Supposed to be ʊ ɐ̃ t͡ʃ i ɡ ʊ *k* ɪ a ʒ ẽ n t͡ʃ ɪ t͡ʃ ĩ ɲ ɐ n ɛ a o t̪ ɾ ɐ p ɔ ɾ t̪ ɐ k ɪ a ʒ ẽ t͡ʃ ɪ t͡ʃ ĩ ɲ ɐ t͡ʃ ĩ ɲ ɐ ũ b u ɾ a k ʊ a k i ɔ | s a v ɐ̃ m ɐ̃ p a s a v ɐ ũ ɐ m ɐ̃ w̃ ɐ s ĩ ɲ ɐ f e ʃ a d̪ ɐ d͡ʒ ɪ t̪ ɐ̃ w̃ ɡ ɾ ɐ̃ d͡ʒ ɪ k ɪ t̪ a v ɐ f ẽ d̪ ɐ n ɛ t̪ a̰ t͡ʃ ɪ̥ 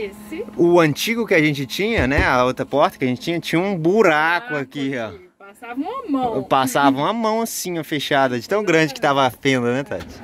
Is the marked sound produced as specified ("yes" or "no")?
yes